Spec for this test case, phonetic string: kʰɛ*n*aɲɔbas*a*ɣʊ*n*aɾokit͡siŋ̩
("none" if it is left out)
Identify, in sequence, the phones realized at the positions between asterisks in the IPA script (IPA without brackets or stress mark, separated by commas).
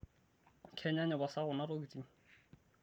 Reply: ɲ, a, n